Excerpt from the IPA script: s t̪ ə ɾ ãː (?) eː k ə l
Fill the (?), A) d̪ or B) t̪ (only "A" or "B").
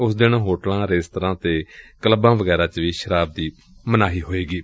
B